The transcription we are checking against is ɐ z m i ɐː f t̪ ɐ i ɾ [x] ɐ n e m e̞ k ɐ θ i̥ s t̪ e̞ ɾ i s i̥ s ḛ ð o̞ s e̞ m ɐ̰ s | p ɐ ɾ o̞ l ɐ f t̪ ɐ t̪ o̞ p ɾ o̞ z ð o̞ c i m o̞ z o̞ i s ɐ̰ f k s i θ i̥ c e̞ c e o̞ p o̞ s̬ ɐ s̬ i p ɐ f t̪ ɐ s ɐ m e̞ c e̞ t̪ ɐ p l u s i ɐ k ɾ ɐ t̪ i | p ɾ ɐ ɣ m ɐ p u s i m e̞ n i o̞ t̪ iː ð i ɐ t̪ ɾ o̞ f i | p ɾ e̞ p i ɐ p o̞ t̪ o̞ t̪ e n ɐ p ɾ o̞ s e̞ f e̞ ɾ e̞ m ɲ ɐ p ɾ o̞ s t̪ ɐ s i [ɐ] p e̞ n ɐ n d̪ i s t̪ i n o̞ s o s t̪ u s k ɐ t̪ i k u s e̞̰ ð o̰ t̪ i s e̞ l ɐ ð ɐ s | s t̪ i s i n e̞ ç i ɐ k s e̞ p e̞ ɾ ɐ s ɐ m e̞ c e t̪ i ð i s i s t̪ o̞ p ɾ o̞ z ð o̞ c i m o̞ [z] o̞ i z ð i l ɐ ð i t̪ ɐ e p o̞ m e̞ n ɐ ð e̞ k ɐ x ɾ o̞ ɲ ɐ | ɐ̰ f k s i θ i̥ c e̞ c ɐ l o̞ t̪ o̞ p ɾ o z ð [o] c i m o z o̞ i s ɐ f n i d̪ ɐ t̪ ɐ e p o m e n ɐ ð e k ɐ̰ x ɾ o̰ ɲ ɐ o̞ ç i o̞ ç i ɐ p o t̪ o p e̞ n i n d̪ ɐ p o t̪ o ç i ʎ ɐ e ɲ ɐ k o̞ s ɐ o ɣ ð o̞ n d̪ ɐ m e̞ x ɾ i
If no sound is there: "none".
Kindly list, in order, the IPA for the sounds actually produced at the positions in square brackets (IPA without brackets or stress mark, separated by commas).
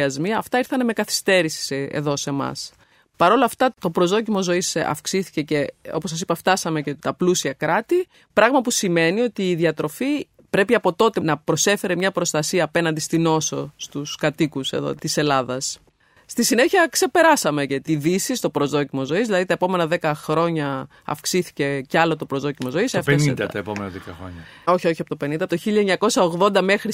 θ, ɐː, z, o